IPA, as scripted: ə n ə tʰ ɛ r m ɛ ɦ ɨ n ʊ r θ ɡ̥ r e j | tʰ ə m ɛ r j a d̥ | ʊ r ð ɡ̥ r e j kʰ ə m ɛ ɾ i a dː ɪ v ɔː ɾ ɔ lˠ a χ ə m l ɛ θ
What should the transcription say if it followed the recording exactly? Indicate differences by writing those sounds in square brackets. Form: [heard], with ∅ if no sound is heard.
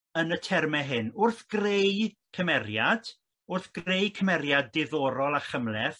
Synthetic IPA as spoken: ə n ə tʰ ɛ r m ɛ ɦ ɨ n ʊ r θ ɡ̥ r e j | [kʰ] ə m ɛ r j a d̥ | ʊ r [θ] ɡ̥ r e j kʰ ə m ɛ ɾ [j] a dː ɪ [ð] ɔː ɾ ɔ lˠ a χ ə m l ɛ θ